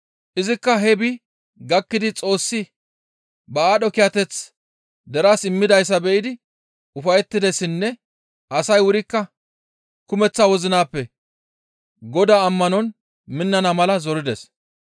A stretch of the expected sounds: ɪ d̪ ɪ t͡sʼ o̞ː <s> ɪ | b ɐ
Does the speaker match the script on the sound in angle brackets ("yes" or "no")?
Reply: no